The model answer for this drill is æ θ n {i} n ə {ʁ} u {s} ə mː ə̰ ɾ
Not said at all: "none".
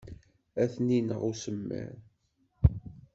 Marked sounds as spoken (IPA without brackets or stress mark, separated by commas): i, ʁ, s